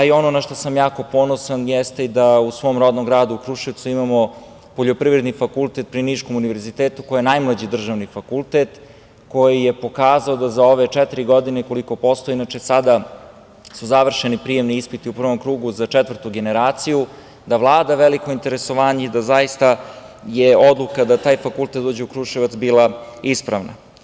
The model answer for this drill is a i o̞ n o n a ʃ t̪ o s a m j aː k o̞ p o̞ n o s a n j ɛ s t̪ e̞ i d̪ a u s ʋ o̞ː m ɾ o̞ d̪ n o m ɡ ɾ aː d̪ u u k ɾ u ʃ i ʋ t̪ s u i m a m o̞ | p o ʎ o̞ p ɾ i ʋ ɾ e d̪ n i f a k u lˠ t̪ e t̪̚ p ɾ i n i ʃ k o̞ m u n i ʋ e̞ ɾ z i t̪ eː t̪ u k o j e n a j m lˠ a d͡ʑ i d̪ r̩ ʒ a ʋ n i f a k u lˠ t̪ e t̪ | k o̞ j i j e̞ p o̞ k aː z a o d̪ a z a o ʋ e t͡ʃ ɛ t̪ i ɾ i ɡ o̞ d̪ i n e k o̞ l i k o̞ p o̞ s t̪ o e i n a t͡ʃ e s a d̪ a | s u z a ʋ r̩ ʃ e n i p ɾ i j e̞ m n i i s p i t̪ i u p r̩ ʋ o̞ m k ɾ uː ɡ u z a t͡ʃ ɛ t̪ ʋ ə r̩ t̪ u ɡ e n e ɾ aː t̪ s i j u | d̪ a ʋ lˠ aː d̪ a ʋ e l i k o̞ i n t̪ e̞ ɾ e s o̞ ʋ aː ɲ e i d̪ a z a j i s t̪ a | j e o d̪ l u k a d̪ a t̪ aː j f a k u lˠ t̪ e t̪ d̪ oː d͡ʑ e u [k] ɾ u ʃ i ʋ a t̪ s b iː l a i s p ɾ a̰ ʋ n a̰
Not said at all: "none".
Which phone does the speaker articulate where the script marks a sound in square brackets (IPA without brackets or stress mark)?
k